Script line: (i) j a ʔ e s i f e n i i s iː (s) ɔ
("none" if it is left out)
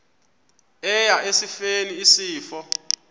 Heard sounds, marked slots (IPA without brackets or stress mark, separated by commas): ɛ, f